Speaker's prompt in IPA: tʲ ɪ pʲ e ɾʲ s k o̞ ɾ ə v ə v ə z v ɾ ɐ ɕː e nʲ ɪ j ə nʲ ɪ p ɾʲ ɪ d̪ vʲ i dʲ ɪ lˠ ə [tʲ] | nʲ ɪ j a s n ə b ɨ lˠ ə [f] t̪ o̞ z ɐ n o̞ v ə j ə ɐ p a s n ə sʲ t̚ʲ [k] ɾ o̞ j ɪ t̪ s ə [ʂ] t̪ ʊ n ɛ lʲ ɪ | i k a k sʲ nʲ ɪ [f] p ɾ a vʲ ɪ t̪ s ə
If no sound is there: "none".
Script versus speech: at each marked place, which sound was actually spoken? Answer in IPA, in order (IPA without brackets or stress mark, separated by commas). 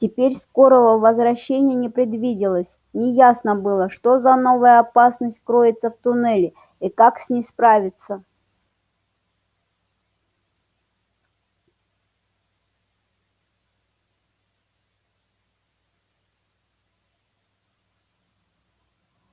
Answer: sʲ, ʂ, k, f, s